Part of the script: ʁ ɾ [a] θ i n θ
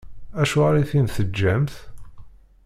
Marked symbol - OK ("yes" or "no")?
no